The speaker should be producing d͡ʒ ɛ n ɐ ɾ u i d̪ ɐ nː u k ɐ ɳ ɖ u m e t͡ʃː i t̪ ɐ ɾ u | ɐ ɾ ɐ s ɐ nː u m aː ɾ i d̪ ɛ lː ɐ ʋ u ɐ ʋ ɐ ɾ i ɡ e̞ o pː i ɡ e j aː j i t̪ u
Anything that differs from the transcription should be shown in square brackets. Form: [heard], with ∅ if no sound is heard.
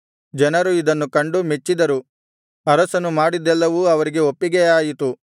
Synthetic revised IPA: d͡ʒ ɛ n ɐ ɾ u i d̪ ɐ nː u k ɐ ɳ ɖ u m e t͡ʃː i [d̪] ɐ ɾ u | ɐ ɾ ɐ s ɐ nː u m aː [ɽ] i d̪ ɛ lː ɐ ʋ u ɐ ʋ ɐ ɾ i ɡ e̞ o pː i ɡ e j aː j i t̪ u